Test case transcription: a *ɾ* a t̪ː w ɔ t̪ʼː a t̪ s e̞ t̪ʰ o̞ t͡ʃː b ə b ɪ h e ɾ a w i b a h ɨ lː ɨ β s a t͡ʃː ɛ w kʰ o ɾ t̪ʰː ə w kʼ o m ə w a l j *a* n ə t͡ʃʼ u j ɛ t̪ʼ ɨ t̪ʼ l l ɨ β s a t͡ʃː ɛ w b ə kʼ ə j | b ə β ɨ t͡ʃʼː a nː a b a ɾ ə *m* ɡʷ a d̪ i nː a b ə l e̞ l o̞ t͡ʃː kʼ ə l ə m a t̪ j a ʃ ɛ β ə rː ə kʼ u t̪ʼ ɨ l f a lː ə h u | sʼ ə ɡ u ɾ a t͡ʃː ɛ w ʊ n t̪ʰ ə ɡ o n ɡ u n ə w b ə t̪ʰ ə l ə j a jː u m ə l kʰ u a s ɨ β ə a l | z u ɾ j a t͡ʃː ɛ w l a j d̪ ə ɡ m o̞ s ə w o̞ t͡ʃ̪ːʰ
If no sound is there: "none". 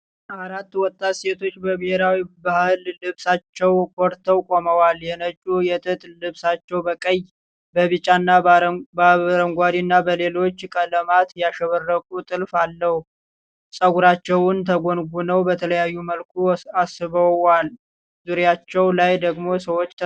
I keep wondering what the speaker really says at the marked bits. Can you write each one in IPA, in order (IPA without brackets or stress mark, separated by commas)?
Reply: ɾ, ɛ, ŋ